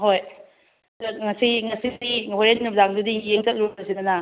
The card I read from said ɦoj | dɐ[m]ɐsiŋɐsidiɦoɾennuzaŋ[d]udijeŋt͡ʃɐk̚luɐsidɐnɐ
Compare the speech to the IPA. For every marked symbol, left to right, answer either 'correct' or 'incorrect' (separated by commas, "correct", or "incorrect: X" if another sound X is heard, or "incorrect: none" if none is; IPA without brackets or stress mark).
incorrect: ŋ, correct